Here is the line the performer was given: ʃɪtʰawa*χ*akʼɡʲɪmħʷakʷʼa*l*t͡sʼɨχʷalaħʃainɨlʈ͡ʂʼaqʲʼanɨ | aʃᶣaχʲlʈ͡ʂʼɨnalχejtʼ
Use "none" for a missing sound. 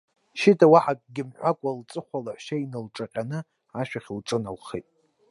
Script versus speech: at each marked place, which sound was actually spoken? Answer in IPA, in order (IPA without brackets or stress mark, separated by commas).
ħ, l